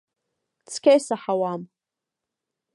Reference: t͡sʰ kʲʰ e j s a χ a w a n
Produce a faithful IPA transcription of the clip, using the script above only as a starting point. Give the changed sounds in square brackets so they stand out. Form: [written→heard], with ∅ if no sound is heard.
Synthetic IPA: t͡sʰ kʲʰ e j s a [χ→ħ] a w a [n→m]